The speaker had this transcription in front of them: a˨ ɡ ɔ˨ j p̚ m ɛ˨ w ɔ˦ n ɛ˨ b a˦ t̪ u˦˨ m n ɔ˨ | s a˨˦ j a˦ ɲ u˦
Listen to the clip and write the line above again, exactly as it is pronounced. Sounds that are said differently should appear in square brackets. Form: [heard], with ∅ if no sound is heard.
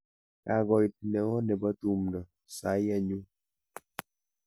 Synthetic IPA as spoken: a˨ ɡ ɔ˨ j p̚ [n] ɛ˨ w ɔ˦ n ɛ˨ b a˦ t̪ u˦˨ m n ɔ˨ | s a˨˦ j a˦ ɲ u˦